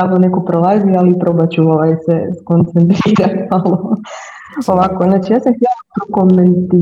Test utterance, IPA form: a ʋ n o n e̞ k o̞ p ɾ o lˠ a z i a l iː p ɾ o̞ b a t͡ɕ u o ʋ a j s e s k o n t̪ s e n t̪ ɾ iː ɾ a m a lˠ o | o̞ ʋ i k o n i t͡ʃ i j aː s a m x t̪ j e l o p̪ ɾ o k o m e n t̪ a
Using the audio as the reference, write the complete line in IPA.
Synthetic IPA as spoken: a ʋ n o n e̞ k o̞ p ɾ o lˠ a z i a l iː p ɾ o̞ b a t͡ɕ u o ʋ a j s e s k o n t̪ s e n t̪ ɾ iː ɾ a m a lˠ o | o̞ ʋ a k o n a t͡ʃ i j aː s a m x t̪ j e l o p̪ ɾ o k o m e n t̪ i